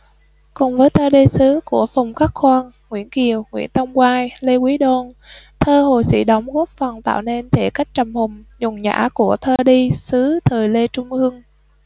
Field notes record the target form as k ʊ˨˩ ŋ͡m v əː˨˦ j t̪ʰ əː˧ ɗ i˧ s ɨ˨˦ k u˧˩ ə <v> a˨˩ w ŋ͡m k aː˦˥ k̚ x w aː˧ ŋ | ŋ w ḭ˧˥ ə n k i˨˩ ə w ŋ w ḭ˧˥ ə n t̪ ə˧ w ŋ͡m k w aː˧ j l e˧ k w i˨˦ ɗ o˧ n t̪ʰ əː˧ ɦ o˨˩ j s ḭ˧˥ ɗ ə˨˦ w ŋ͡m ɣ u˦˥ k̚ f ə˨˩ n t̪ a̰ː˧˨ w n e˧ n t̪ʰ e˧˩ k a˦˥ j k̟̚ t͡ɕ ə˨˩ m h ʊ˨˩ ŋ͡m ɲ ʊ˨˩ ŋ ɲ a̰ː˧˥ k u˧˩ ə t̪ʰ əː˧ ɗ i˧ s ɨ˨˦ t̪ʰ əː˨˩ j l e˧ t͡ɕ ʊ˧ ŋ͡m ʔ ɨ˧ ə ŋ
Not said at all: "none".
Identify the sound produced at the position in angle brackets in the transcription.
f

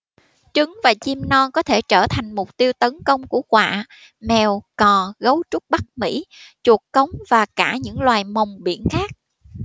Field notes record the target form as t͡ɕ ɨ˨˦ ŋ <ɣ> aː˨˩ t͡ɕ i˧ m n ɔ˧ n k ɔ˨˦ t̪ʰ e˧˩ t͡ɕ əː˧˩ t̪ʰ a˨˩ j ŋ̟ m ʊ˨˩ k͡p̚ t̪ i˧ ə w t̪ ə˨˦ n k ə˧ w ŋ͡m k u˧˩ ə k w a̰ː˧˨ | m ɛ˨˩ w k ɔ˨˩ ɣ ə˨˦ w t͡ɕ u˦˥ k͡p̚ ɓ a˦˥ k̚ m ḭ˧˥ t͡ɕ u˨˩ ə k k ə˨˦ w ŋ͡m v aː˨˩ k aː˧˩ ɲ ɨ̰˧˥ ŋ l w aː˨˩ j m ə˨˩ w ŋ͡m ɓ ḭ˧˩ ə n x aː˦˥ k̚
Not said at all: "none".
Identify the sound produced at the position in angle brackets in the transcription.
v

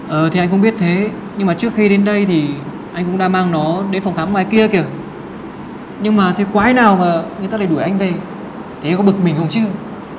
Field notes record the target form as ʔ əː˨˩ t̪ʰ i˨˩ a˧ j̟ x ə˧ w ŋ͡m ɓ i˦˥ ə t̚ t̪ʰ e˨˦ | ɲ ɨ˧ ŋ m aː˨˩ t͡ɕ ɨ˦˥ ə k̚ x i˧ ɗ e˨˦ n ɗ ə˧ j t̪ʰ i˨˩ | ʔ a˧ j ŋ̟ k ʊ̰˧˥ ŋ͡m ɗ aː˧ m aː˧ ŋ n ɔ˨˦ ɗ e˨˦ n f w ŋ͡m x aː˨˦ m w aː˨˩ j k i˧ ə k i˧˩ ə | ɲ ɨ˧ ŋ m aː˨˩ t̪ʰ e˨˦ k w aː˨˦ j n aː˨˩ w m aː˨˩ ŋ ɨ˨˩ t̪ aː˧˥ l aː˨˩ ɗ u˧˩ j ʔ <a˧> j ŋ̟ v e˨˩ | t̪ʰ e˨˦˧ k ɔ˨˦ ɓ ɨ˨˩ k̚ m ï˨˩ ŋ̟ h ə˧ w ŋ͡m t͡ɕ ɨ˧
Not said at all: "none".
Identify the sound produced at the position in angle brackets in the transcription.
a˧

